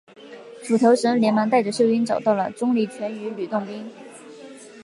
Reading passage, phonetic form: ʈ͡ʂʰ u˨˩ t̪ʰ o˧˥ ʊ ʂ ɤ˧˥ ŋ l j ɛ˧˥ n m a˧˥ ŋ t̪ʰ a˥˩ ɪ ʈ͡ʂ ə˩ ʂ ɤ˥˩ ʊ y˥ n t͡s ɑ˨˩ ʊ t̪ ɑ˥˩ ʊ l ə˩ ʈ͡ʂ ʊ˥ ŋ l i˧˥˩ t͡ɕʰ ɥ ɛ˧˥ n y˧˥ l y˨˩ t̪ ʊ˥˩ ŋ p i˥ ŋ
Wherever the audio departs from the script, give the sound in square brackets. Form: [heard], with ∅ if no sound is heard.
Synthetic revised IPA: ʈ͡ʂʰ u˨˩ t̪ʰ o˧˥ ʊ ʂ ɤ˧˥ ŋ l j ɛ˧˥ n m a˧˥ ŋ [t̪] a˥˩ ɪ ʈ͡ʂ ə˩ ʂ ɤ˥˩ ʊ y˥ n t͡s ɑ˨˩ ʊ t̪ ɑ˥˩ ʊ l ə˩ ʈ͡ʂ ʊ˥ ŋ l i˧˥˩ t͡ɕʰ ɥ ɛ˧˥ n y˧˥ l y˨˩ t̪ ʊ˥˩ ŋ p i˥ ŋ